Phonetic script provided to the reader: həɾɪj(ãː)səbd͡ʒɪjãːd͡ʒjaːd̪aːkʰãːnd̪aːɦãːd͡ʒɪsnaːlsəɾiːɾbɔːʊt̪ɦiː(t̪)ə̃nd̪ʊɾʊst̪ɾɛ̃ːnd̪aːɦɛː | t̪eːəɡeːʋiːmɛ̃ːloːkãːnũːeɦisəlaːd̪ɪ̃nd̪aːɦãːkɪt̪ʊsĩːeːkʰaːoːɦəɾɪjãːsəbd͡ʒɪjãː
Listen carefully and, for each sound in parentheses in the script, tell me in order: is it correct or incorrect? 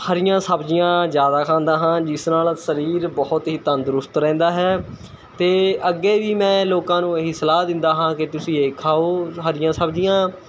correct, correct

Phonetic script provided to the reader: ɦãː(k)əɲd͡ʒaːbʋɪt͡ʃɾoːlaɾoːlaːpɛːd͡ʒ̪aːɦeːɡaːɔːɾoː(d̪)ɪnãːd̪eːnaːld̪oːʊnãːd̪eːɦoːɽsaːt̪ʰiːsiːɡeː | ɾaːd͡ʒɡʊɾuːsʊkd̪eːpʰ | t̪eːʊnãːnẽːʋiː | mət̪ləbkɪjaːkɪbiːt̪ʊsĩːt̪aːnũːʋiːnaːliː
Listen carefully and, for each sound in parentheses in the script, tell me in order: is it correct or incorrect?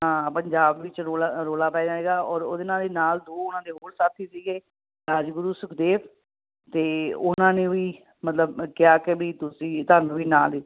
incorrect, correct

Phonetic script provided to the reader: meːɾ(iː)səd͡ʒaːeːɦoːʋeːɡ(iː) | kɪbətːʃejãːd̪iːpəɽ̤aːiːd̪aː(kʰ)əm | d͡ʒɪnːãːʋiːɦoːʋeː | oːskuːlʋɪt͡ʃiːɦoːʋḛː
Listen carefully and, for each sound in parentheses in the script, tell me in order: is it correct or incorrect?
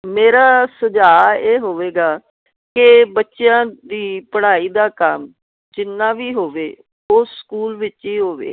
incorrect, incorrect, incorrect

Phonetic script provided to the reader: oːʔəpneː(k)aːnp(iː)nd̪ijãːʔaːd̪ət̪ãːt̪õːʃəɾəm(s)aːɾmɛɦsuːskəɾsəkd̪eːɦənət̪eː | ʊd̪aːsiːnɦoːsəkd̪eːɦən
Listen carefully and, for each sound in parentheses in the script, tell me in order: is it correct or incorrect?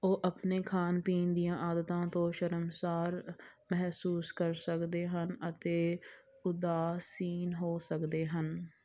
incorrect, correct, correct

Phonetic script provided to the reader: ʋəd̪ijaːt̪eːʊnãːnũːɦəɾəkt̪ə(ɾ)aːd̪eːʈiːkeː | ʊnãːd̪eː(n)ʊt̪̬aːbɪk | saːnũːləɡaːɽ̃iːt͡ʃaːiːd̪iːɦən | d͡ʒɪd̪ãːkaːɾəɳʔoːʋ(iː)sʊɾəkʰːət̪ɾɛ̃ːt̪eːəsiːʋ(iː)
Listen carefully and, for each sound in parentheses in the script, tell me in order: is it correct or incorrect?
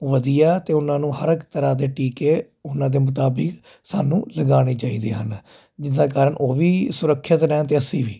correct, incorrect, correct, correct

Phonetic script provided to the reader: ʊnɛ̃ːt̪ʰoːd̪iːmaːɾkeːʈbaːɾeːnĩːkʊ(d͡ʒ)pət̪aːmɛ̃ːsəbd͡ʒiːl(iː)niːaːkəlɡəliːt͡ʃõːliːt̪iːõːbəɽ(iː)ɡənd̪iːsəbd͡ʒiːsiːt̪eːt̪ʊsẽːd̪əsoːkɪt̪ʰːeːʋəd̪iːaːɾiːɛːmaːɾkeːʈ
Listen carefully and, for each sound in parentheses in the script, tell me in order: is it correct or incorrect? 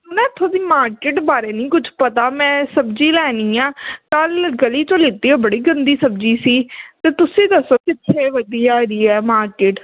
correct, incorrect, correct

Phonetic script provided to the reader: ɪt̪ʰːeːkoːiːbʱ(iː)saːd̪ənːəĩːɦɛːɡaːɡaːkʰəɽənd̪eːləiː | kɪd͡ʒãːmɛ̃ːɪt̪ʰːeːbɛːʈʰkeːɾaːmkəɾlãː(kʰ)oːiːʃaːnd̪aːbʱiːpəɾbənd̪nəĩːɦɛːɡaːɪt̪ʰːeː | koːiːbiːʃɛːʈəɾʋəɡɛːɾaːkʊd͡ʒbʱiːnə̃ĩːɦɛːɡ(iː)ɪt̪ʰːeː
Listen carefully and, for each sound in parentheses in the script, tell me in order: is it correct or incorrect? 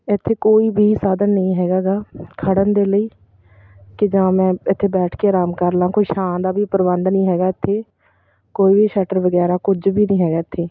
correct, incorrect, incorrect

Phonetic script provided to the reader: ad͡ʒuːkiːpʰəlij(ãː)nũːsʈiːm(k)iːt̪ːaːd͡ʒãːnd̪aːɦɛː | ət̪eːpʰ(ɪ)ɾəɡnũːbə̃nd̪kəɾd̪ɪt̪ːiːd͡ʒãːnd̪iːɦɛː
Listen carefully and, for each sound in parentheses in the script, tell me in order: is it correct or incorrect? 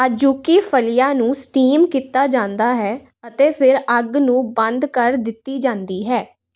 incorrect, correct, correct

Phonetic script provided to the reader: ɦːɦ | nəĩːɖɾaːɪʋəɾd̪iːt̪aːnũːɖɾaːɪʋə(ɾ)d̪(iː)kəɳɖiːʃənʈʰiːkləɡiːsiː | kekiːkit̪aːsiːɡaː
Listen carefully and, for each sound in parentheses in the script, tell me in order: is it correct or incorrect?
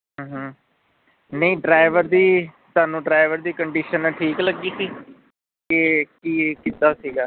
correct, correct

